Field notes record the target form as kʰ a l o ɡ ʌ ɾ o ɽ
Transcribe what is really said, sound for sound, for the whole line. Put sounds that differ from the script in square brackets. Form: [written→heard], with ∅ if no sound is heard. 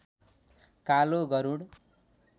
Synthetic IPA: [kʰ→k] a l o ɡ ʌ ɾ [o→u] ɽ